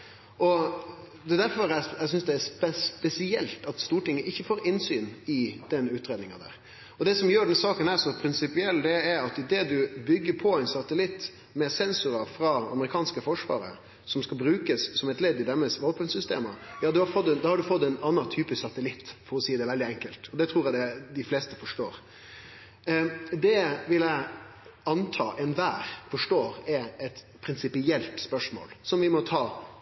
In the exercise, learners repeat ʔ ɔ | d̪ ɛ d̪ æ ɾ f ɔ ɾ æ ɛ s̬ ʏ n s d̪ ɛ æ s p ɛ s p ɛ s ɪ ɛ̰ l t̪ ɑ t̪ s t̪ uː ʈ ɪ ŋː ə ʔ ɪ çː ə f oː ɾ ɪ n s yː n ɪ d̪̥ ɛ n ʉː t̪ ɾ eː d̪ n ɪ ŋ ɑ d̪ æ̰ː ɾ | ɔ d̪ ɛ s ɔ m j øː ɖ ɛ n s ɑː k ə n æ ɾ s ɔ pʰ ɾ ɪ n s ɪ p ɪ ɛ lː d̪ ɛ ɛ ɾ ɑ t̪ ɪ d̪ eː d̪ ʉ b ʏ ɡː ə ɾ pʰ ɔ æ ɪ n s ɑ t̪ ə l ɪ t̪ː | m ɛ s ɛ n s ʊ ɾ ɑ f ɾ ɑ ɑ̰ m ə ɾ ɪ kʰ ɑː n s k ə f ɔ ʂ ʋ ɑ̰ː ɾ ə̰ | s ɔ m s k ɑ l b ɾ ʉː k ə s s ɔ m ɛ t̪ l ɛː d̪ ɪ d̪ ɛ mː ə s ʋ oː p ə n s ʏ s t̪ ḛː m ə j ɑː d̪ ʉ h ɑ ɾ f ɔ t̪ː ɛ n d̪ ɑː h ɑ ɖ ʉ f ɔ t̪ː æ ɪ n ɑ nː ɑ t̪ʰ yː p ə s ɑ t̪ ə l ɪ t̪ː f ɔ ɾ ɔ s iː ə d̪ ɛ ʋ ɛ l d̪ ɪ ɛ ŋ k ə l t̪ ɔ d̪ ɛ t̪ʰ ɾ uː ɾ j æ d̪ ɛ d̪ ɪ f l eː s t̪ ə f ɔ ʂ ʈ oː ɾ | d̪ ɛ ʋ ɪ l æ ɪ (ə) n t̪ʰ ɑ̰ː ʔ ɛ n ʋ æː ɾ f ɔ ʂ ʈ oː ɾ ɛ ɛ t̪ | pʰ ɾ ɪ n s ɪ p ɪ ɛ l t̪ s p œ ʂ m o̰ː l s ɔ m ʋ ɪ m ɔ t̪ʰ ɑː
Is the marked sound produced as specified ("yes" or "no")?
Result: no